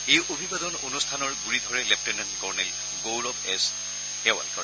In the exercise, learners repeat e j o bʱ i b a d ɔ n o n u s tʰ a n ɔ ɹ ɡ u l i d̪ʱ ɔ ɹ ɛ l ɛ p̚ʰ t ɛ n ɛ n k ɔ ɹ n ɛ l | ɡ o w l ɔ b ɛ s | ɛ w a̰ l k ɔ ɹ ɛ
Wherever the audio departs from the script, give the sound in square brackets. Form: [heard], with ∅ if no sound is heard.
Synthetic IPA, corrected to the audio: e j o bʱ i b a d ɔ n o n u s tʰ a n ɔ ɹ ɡ u [ɹ] i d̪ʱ ɔ ɹ ɛ l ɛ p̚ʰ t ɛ n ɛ n k ɔ ɹ n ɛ l | ɡ o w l ɔ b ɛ s | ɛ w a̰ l k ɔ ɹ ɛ